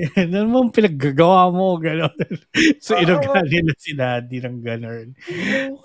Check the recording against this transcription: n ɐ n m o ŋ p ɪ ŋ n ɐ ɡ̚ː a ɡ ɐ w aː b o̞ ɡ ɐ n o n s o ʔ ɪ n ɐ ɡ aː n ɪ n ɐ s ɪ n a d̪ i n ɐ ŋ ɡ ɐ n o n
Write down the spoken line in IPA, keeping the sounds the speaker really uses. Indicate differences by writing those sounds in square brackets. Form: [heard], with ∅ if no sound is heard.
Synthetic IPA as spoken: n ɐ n m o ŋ p ɪ [∅] n ɐ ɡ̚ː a ɡ ɐ w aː [m] o̞ ɡ ɐ n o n s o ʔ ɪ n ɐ ɡ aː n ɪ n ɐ s ɪ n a d̪ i n ɐ ŋ ɡ ɐ n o n